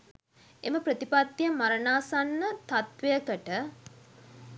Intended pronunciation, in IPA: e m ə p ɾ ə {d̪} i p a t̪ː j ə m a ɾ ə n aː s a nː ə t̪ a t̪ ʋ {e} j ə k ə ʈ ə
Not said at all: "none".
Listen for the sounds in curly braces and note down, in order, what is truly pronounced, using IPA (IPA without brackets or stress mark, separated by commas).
t̪, e